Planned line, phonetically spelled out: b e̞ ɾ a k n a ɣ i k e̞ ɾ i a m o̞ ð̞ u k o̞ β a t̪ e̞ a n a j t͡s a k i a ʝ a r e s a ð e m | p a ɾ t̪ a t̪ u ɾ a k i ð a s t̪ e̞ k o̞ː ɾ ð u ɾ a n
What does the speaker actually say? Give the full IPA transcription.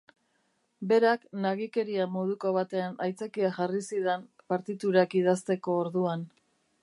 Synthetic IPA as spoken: b e̞ ɾ a k n a ɣ i k e̞ ɾ i a m o̞ ð̞ u k o̞ β a t̪ e̞ a n a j t͡s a k i a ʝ a r i s i ð e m | p a ɾ t̪ i t̪ u ɾ a k i ð a s t̪ e̞ k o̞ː ɾ ð u a n

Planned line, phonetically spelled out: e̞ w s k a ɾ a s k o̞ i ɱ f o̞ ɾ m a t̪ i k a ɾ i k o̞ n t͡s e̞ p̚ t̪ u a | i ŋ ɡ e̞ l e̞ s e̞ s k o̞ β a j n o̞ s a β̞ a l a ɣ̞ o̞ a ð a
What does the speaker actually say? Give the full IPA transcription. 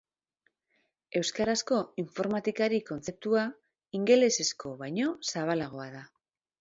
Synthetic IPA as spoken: e̞ w s k a ɾ a s k o̞ i ɱ f o̞ ɾ m a t̪ i k a ɾ i k o̞ n t͡s e̞ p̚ t̪ u a | i ŋ ɡ e̞ l e̞ s e̞ s k o̞ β a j ɲ o̞ s a β̞ a l a ɣ̞ o̞ a ð a

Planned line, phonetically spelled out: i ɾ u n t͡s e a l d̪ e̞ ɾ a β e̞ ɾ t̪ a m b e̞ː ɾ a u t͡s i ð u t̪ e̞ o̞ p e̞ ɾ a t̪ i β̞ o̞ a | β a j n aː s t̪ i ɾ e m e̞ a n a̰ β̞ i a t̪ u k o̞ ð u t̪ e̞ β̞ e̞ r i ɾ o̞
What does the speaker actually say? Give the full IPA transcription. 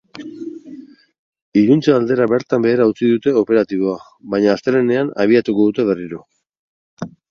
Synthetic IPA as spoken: i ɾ u n t͡s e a l d̪ e̞ ɾ a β e̞ ɾ t̪ a m b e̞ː ɾ a u t͡s i ð u t̪ e̞ o̞ p e̞ ɾ a t̪ i β̞ o̞ a | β a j ɲ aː s t̪ e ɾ e n e̞ a n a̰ β̞ i a t̪ u k o̞ ð u t̪ e̞ β̞ e̞ r i ɾ o̞

